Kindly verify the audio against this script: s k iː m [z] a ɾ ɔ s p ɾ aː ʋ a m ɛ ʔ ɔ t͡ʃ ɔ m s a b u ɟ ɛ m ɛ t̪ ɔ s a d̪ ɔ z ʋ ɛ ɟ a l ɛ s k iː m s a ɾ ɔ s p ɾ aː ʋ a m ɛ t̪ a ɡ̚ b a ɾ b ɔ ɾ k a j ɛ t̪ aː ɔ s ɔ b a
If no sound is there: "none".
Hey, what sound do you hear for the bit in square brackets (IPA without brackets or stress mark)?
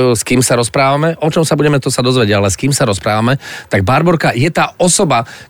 s